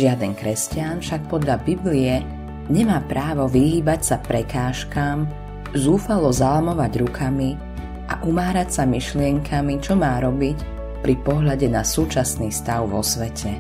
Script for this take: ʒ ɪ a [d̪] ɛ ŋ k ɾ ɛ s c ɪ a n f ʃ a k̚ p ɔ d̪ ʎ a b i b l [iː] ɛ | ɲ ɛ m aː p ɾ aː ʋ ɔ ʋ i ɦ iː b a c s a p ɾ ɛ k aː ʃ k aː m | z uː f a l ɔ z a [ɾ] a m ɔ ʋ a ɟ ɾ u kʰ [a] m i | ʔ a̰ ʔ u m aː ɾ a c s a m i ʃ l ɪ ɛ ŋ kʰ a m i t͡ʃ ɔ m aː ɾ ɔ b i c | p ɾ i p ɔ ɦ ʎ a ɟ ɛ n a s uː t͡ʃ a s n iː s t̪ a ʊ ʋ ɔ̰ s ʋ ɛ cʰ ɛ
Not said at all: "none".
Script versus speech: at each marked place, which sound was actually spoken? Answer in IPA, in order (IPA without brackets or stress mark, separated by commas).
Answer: d̪, i, l, a